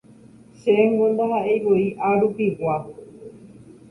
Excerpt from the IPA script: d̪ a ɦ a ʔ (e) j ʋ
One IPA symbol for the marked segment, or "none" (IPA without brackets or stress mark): e